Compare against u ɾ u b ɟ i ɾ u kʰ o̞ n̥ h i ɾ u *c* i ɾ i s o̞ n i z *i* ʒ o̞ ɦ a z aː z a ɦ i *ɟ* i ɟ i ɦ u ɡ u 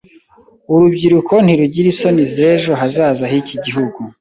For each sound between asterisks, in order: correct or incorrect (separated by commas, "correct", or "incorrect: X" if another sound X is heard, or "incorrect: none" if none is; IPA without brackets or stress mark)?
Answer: incorrect: ɟ, incorrect: e, incorrect: c